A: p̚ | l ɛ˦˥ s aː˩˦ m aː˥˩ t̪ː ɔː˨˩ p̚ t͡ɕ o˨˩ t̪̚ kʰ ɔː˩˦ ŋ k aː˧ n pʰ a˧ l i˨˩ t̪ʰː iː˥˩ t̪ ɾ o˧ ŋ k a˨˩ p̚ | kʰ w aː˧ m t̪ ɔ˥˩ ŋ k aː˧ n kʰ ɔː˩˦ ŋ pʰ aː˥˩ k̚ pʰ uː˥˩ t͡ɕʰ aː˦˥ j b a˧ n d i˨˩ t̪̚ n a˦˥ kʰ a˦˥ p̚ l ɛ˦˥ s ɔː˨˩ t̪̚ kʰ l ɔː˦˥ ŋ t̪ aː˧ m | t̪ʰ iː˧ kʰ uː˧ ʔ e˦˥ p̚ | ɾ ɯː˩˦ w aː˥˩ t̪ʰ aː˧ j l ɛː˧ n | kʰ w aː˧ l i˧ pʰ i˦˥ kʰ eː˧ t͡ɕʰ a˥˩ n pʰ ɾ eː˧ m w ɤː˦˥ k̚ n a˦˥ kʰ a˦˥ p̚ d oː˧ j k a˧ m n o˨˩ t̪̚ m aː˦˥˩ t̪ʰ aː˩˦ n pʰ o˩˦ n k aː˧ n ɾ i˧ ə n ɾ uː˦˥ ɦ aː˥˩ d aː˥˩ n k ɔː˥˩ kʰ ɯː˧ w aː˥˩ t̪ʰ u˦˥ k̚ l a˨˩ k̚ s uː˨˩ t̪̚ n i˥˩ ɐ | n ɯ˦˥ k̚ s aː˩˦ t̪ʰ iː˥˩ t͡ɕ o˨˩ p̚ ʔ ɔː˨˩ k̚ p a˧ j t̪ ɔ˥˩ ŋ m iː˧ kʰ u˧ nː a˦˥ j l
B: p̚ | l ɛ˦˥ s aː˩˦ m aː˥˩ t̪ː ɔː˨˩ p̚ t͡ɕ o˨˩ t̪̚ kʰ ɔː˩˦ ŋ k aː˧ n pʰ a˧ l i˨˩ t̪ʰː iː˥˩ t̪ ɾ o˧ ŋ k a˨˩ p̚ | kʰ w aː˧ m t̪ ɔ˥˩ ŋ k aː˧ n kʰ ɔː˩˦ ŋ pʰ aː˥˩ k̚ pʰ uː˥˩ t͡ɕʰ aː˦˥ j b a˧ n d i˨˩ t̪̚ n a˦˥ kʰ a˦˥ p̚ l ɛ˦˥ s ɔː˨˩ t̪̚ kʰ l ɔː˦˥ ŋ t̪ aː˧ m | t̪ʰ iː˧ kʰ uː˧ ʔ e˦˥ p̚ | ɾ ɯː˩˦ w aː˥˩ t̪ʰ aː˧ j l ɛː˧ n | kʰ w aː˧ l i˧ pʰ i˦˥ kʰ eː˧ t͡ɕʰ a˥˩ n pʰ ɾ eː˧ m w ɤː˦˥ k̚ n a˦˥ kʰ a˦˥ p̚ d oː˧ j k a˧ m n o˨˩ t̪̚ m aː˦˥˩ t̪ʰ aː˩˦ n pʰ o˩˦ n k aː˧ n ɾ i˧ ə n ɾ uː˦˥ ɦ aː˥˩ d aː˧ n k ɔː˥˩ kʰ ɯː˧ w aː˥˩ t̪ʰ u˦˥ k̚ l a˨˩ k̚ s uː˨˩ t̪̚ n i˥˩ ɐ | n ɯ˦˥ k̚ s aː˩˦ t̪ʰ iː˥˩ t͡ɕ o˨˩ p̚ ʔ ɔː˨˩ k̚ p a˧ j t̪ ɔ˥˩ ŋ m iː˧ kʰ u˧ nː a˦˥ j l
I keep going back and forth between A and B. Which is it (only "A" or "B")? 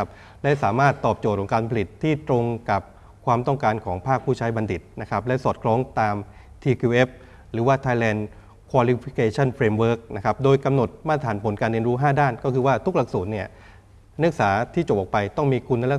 A